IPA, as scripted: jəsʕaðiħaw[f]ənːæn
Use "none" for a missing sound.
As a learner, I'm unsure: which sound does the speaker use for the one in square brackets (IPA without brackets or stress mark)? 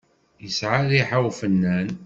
f